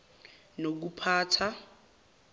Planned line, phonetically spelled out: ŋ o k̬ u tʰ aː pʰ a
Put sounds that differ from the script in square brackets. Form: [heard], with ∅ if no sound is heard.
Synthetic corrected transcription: [n] o k̬ u [pʰ] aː [tʰ] a